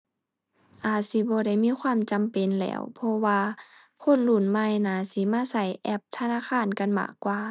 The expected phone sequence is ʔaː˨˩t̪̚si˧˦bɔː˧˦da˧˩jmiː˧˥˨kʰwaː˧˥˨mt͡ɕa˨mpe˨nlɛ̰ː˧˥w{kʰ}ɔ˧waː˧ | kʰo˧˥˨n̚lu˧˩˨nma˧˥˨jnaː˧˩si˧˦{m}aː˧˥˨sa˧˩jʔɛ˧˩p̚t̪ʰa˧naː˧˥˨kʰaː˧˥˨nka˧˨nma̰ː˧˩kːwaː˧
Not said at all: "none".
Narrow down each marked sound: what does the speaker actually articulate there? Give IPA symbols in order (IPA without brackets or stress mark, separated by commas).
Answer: pʰ, m